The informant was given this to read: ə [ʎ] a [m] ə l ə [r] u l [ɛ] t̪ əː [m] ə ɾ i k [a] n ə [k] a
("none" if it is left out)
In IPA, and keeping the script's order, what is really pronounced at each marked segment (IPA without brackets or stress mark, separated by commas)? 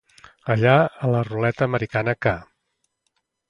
ʎ, none, r, ɛ, m, a, k